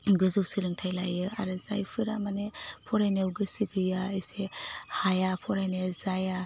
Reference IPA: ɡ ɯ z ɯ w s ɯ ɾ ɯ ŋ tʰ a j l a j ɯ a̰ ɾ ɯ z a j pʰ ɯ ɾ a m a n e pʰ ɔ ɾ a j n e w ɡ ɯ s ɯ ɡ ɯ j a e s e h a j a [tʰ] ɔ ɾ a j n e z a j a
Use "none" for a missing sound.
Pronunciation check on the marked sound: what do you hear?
pʰ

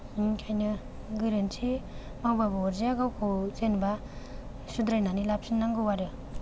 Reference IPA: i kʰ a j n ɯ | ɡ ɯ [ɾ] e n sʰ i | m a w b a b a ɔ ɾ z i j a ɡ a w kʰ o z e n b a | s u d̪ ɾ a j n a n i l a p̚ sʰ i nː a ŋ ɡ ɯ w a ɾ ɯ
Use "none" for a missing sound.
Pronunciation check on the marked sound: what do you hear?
ɾ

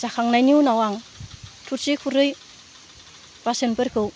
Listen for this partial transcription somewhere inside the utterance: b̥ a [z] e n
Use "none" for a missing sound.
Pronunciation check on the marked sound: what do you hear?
s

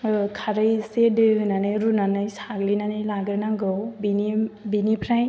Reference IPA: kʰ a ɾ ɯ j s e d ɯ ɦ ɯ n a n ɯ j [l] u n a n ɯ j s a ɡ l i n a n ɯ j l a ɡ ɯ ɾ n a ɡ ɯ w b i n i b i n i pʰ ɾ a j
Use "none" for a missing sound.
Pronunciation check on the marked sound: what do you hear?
ɾ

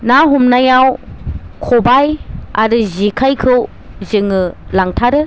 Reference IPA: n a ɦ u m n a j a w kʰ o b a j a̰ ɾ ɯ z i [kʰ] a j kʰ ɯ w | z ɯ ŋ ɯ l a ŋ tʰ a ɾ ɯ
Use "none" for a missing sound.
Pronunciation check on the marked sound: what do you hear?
kʰ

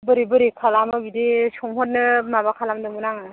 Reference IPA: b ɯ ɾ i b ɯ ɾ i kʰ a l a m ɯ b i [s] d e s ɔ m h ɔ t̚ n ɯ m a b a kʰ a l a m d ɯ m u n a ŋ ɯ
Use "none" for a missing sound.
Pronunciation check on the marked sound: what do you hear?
none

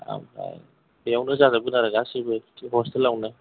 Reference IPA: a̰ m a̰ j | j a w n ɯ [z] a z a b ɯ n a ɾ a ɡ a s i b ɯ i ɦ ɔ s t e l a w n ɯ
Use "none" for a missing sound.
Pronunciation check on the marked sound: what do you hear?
z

